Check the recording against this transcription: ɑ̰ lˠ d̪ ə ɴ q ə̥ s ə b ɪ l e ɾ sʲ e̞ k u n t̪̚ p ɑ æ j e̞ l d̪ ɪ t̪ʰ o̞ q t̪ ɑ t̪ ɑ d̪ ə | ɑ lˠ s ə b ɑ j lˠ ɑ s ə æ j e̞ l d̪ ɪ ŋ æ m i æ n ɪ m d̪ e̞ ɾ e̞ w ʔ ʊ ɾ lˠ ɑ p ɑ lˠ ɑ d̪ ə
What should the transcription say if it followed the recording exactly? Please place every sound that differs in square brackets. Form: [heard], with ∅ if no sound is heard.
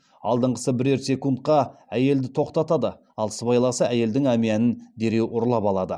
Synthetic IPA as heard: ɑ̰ lˠ d̪ ə ɴ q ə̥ s ə b ɪ [ɾ] e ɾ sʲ e̞ k u n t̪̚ [q] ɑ æ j e̞ l d̪ ɪ t̪ʰ o̞ q t̪ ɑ t̪ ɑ d̪ ə | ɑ lˠ s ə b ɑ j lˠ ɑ s ə æ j e̞ l d̪ ɪ ŋ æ m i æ n ɪ [n] d̪ e̞ ɾ e̞ w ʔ ʊ ɾ lˠ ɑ p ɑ lˠ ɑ d̪ ə